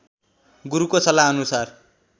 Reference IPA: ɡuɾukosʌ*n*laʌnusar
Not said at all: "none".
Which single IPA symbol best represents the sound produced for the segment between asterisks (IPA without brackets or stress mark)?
none